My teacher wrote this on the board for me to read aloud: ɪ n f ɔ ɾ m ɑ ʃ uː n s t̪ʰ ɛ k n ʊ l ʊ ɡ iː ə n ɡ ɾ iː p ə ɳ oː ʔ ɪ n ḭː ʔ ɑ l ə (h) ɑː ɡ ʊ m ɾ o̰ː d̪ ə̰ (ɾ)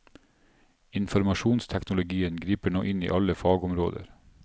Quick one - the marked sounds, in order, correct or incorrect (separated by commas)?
incorrect, correct